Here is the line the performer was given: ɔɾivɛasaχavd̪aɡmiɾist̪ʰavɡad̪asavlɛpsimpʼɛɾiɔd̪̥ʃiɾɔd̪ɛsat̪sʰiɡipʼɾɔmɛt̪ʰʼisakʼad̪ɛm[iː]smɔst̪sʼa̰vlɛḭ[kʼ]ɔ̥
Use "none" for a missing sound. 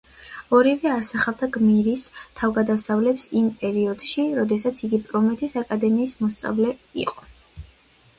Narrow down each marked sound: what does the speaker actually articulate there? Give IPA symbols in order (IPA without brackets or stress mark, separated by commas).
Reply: iː, qʼ